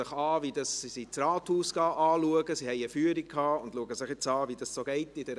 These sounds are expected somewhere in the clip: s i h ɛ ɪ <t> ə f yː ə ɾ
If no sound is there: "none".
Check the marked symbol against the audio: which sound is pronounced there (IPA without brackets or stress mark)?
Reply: none